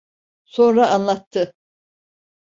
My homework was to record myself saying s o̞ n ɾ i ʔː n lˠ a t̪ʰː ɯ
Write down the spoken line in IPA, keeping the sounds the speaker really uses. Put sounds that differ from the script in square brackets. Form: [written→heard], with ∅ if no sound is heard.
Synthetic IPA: s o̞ n ɾ [i→a] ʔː n lˠ a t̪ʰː ɯ